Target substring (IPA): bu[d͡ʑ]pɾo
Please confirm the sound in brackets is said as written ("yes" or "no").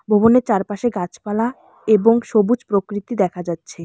yes